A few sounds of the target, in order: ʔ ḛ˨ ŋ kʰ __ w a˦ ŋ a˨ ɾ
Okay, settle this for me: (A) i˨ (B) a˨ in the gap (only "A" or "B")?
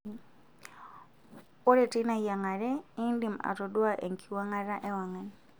A